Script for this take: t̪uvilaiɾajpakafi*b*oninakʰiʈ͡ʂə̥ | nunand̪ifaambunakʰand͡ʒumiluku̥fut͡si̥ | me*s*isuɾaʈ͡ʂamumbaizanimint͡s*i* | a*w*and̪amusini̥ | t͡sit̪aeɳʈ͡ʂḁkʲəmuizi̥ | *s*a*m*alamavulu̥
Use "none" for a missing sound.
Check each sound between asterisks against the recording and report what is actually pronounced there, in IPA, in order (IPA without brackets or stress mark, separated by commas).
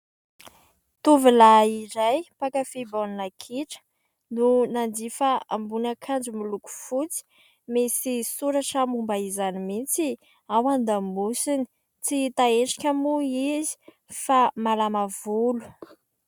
b, s, i, w, f, m